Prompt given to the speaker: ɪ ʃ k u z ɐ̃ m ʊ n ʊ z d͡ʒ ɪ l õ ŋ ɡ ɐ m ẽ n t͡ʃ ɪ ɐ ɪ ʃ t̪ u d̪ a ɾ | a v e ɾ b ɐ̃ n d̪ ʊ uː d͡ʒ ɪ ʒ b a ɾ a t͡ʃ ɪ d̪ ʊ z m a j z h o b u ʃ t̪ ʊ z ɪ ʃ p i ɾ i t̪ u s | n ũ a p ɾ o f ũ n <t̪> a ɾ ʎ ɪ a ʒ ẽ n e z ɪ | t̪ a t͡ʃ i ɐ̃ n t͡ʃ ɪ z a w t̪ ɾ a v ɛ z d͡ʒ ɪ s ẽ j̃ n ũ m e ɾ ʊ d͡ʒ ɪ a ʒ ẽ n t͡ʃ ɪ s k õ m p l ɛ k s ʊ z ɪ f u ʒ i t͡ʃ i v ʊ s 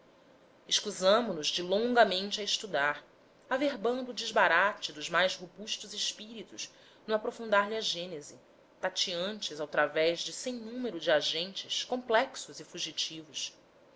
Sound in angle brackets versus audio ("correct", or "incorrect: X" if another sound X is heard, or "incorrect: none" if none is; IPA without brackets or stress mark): incorrect: d̪